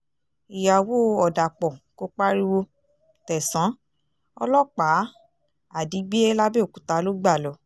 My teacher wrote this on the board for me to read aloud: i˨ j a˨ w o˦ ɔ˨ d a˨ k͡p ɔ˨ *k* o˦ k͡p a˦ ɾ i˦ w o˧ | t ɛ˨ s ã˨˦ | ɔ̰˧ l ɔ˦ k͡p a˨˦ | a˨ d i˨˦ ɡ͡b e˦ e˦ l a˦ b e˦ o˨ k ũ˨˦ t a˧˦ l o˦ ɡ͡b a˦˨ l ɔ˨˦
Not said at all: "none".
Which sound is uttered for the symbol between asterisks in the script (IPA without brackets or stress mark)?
k